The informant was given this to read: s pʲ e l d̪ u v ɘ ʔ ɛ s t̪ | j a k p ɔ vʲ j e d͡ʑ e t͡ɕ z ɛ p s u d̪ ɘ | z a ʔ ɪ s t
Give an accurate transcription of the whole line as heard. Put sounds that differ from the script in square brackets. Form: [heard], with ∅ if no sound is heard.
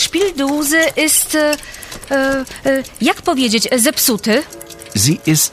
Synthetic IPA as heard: [ʂ] pʲ [i] l d̪ u [z] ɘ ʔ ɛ s t̪ | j a k p ɔ vʲ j e d͡ʑ e t͡ɕ z ɛ p s u [t̪] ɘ | z [i] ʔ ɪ s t